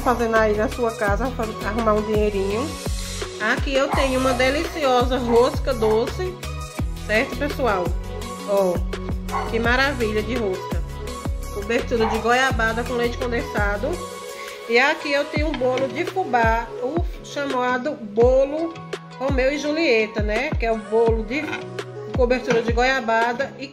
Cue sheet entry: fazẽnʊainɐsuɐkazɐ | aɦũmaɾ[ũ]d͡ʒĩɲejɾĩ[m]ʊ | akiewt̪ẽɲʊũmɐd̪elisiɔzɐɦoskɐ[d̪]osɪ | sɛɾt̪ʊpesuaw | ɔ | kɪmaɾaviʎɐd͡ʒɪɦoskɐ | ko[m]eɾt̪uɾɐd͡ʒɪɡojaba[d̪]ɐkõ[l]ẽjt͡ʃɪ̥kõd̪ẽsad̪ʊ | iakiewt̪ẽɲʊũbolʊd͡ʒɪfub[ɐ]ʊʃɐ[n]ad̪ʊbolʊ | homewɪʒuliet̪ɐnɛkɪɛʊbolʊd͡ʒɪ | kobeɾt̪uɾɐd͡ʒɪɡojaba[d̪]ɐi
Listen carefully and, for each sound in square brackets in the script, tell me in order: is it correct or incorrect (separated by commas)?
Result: correct, incorrect, correct, incorrect, correct, correct, incorrect, incorrect, correct